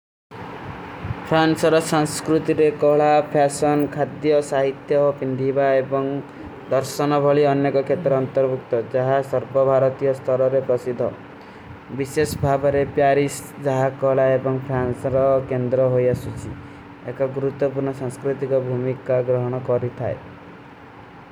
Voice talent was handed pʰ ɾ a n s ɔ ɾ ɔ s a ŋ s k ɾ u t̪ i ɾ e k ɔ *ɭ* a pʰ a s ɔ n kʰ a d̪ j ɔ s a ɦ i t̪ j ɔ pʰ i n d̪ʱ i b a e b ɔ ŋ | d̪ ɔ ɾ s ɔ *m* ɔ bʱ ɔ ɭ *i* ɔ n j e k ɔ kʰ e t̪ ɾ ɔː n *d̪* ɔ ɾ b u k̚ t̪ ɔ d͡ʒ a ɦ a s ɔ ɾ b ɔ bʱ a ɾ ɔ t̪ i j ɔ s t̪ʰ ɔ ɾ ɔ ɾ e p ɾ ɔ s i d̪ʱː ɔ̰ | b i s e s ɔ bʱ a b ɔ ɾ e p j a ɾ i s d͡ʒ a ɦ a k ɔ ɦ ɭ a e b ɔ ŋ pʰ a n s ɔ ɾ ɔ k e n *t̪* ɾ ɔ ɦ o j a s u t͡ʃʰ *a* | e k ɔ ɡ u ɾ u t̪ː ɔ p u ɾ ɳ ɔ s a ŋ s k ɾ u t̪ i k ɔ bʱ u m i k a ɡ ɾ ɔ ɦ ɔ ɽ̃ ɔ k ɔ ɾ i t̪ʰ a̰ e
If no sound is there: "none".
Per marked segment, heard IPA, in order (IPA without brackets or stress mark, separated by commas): ɭ, n, i, t̪, d̪, i